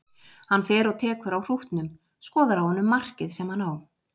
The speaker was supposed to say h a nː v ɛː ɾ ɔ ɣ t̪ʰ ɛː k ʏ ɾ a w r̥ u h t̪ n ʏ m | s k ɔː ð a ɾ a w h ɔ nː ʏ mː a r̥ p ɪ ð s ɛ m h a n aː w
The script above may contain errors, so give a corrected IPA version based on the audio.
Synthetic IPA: h a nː f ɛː ɾ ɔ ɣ t̪ʰ ɛː k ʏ ɾ a w r̥ u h t̪ n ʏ m | s k ɔː ð a ɾ a w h ɔ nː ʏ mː a r̥ c ɪ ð s ɛ m h a n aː w